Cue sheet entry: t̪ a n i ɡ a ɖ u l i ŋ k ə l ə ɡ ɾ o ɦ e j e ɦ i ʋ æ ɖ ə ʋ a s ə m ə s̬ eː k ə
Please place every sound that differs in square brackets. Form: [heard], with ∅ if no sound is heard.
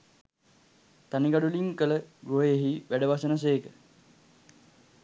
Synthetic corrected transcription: t̪ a n i ɡ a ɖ u l i ŋ k ə l ə ɡ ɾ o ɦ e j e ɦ i ʋ æ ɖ ə ʋ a s ə [n] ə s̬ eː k ə